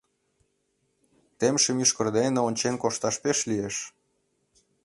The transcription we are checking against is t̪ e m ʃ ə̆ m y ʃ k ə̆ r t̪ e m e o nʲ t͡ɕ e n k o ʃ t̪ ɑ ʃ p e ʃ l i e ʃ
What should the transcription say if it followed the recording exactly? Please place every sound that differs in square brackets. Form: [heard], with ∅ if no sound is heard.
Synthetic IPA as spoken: t̪ e m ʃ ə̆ m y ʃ k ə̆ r [d̪] e [n] e o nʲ t͡ɕ e n k o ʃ t̪ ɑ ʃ p e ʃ l i e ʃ